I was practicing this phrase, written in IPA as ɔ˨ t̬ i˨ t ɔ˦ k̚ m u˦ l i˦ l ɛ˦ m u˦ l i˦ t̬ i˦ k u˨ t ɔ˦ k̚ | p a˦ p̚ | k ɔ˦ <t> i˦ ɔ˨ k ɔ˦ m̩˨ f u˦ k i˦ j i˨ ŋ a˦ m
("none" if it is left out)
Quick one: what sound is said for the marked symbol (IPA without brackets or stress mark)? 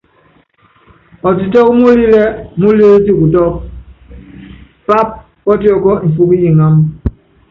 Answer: t